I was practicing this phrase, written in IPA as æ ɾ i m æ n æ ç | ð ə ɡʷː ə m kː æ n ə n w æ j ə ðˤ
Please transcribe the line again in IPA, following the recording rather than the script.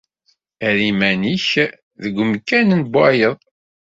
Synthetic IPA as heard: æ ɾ i m æ n i ç | ð ə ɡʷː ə m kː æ n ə n b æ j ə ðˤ